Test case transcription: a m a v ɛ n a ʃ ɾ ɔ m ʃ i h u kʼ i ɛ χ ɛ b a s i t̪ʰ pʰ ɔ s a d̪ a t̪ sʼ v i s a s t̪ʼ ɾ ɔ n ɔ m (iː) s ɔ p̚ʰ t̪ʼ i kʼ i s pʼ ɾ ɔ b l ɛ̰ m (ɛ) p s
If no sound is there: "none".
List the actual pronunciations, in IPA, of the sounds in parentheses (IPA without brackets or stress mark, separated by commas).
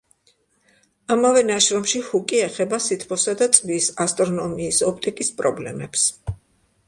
iː, ɛ